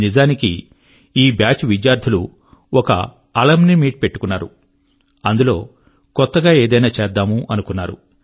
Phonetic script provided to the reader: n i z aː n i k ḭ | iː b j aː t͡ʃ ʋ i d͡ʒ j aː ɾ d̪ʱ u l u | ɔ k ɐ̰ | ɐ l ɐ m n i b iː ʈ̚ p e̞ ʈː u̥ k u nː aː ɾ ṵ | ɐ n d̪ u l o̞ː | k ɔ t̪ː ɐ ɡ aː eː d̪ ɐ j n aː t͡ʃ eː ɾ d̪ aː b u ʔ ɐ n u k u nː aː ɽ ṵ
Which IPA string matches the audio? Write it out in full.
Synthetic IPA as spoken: n i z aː n i k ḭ | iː b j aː t͡ʃ ʋ i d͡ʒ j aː ɾ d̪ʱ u l u | ɔ k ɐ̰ | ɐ l ɐ m n i m iː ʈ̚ p e̞ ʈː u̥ k u nː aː ɾ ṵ | ɐ n d̪ u l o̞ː | k ɔ t̪ː ɐ ɡ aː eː d̪ ɐ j n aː t͡ʃ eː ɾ d̪ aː m u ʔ ɐ n u k u nː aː ɾ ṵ